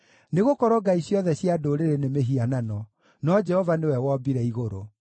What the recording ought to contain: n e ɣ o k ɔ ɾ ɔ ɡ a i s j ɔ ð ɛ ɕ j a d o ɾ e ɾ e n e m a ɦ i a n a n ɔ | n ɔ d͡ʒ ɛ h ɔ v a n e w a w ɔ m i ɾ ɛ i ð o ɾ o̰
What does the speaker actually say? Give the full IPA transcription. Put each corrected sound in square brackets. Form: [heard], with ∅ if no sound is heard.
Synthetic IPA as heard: n e ɣ o k ɔ ɾ ɔ ɡ a i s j ɔ ð ɛ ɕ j a d o ɾ e ɾ e n e m [e] ɦ i a n a n ɔ | n ɔ d͡ʒ ɛ h ɔ v a n e w [ɛ] w ɔ [b] i ɾ ɛ i [ɣ] o ɾ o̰

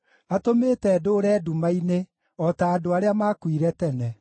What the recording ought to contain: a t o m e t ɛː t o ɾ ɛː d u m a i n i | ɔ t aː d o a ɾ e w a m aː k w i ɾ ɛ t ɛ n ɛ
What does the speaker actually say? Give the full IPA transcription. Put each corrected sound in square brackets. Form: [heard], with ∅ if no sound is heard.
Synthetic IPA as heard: a t o m e t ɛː [d] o ɾ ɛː d u m a i n [e] | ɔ t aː d o a ɾ e [∅] a m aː k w i ɾ ɛ t ɛ n ɛ

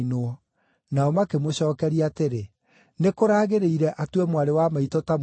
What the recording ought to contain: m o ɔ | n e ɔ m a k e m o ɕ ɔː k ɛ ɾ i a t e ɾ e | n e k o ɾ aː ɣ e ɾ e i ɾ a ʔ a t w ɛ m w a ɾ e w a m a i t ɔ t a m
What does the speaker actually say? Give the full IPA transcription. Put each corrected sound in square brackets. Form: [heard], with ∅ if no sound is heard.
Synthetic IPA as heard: [n] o ɔ | n [a] ɔ m a k e m o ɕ ɔː k ɛ ɾ i a t e ɾ e | n e k o ɾ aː ɣ e ɾ e i ɾ [ɛ] ʔ a t w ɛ m w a ɾ e w a m a i t ɔ t a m

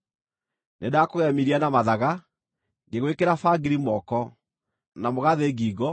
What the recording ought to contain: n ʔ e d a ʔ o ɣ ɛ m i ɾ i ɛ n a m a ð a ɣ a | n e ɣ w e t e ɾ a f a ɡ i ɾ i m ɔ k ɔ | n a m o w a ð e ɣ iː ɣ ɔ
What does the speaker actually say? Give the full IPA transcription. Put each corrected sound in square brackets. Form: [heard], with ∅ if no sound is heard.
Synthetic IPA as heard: n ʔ e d a [k] o ɣ ɛ m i ɾ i [a] n a m a ð a ɣ a | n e ɣ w e [k] e ɾ a f a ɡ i ɾ i m ɔ k ɔ | n a m o [ɣ] a ð e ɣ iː ɣ ɔ

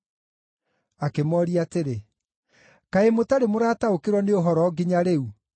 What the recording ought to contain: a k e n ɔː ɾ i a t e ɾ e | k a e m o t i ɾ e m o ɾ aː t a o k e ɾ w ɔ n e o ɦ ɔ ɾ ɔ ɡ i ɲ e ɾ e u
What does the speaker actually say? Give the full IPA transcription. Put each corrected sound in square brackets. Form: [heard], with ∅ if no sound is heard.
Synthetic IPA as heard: a k e [m] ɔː ɾ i a t e ɾ e | k a e m o t [a] ɾ e m o ɾ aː t a o k e ɾ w ɔ n e o ɦ ɔ ɾ ɔ ɡ i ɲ [a] ɾ e u

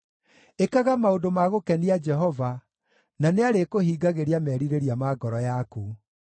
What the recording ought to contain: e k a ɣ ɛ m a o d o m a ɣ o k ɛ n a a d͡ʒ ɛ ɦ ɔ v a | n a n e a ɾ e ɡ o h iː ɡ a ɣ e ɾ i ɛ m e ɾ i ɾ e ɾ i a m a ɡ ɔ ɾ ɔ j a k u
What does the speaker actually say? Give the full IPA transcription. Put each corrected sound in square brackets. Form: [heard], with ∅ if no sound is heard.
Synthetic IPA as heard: e k a ɣ [a] m a o d o m a ɣ o k ɛ n [i] a d͡ʒ ɛ ɦ ɔ v a | n a n e a ɾ e [k] o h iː ɡ a ɣ e ɾ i [a] m [ɛ] ɾ i ɾ e ɾ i a m a ɡ ɔ ɾ ɔ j a k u

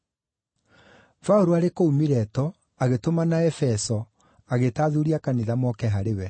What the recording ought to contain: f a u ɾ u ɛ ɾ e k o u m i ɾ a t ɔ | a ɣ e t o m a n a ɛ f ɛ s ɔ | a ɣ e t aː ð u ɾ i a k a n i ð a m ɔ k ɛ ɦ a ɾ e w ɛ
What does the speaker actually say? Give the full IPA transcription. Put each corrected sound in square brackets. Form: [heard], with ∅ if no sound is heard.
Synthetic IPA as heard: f a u ɾ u [a] ɾ e k o u m i ɾ [ɛ] t ɔ | a ɣ e t o m a n a ɛ f ɛ s ɔ | a ɣ e t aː ð u ɾ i a k a n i ð a m ɔ k ɛ ɦ a ɾ e w ɛ

